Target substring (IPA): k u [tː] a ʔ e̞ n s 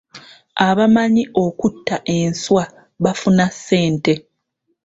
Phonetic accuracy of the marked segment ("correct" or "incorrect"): correct